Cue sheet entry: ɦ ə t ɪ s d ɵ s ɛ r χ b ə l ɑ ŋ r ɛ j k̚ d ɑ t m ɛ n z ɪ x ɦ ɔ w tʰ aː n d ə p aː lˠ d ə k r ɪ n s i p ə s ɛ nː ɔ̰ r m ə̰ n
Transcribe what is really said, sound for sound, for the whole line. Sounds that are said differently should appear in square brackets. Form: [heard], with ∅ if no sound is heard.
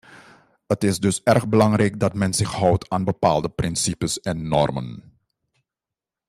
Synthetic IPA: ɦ ə t ɪ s d ɵ s ɛ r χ b ə l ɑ ŋ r ɛ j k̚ d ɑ t m ɛ n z ɪ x ɦ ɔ w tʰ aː n [b] ə p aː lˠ d ə [p] r ɪ n s i p ə s ɛ nː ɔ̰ r m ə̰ n